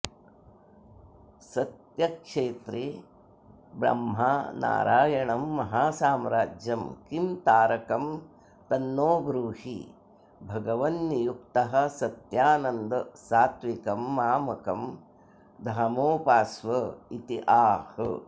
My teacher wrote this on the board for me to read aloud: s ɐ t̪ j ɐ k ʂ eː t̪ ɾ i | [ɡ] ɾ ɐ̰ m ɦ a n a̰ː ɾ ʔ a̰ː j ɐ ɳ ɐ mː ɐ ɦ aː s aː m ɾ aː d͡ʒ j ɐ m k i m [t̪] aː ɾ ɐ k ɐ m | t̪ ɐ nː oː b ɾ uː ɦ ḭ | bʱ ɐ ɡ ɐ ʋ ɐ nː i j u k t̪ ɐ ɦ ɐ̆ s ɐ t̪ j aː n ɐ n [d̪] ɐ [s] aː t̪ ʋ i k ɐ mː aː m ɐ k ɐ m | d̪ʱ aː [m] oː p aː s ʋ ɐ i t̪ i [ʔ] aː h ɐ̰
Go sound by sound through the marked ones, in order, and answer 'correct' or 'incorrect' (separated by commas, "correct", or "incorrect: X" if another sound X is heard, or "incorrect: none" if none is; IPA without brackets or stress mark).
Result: incorrect: b, correct, correct, correct, correct, correct